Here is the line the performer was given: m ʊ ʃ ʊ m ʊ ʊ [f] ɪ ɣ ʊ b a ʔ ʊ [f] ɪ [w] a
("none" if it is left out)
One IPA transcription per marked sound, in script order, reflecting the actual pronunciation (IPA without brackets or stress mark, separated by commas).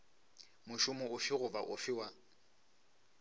f, f, w